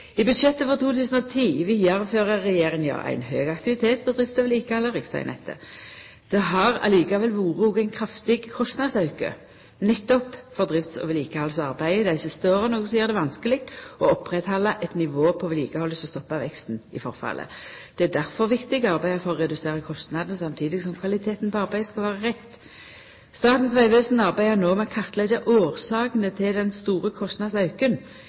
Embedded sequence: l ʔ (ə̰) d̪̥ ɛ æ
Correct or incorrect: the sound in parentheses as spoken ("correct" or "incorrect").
correct